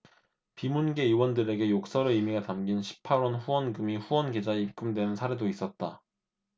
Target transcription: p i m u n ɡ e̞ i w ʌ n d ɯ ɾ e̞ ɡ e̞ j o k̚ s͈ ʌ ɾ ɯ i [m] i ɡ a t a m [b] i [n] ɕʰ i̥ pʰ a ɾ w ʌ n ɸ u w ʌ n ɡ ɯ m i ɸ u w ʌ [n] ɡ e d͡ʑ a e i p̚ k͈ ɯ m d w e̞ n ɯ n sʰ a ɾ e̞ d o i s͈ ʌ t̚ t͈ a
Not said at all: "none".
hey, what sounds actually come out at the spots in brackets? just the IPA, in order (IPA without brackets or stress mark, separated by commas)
m, ɡ, n, n